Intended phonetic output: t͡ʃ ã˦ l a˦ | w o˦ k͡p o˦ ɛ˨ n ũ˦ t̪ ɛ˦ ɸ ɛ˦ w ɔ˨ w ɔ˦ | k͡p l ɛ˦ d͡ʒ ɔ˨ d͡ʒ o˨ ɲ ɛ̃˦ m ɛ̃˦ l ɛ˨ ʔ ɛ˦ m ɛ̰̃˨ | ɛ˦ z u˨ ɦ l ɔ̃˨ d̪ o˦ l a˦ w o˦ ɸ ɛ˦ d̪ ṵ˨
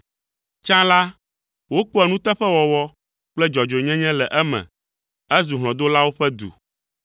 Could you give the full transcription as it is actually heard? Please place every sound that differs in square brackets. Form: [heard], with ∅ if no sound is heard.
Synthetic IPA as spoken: t͡ʃ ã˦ l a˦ | w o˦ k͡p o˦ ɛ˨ n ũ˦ t̪ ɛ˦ ɸ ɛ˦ w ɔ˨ w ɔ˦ | k͡p l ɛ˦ d͡ʒ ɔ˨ d͡ʒ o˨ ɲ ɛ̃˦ [ɲ] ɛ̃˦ l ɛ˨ ʔ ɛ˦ m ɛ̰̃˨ | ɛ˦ z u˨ ɦ l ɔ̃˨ d̪ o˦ l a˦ w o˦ ɸ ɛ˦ d̪ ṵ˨